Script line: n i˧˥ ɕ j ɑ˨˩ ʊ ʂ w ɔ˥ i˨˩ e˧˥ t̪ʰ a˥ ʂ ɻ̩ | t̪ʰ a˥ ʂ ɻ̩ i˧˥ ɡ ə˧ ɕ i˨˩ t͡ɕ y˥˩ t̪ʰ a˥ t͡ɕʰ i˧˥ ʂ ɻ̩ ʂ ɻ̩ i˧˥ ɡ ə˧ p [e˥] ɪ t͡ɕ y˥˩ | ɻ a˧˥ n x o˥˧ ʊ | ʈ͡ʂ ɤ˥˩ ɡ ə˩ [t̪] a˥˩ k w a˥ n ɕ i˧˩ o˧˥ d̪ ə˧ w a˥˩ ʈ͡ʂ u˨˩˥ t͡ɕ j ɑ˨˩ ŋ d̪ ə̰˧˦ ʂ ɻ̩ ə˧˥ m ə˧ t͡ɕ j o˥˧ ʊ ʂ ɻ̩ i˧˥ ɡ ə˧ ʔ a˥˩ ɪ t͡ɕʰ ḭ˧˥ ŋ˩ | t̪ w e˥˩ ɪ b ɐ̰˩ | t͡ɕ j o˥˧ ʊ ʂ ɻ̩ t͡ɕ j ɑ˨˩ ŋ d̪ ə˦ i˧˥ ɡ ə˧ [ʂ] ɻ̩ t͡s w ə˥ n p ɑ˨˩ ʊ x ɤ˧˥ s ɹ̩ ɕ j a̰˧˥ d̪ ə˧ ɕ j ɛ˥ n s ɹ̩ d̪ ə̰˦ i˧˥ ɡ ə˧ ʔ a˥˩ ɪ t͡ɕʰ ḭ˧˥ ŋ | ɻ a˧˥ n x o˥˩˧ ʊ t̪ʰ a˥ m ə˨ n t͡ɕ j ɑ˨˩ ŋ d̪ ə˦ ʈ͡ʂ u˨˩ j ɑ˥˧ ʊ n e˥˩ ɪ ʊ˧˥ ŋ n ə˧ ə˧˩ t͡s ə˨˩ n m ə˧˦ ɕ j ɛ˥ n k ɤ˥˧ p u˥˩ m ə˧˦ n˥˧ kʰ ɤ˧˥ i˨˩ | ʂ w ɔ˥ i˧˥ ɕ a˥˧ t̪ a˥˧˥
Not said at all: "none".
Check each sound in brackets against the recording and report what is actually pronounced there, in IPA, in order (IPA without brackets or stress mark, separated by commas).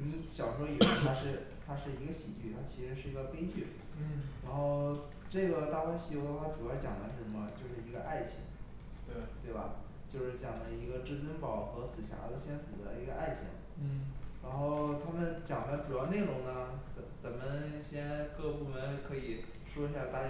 e˥, t̪, ʈ͡ʂ